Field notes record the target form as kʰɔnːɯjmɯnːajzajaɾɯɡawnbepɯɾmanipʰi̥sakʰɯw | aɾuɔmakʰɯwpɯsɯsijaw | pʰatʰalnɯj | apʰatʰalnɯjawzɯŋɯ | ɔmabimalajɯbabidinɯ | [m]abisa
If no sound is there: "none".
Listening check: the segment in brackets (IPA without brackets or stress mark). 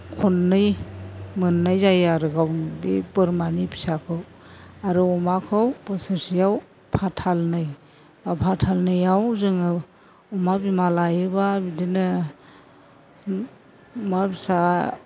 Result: m